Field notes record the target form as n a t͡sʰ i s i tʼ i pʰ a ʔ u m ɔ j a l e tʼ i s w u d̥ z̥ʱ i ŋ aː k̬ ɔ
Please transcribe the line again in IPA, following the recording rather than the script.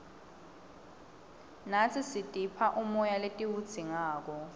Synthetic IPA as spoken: n a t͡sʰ i s i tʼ i pʰ a ʔ u m ɔ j a l e tʼ i w u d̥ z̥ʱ i ŋ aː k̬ ɔ